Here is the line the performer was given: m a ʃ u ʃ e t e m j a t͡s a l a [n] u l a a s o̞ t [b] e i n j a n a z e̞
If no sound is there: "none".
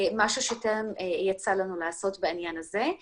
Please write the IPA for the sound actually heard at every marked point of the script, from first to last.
n, b

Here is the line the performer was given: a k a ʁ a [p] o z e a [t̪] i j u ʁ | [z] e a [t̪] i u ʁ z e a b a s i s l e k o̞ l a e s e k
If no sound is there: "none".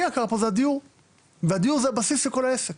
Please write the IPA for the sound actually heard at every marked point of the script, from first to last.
p, d̪, v, d̪

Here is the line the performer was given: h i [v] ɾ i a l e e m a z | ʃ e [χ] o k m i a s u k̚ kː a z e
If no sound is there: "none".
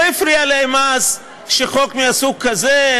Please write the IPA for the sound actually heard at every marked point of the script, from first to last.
f, χ

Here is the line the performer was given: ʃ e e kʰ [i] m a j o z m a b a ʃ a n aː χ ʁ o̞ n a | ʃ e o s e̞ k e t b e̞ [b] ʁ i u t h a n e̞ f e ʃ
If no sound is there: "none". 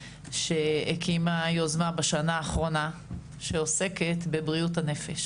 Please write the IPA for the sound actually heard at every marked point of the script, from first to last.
i, b

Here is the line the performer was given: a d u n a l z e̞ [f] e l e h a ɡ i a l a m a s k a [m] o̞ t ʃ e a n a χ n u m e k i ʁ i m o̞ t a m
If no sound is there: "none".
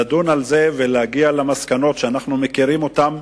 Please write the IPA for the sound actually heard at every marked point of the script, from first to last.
v, n

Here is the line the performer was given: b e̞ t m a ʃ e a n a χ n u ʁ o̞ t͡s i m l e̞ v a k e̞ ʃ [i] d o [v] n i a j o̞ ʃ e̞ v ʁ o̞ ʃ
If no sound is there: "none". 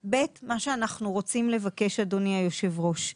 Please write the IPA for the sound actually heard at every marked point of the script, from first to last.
a, none

